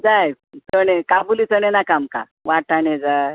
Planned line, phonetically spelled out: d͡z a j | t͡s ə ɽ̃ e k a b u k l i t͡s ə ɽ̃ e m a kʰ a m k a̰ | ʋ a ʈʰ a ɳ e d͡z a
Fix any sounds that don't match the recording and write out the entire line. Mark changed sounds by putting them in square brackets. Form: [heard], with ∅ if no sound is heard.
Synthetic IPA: d͡z a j | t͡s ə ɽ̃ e k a b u [∅] l i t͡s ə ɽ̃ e [n] a [k] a m k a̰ | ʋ a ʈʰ a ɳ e d͡z a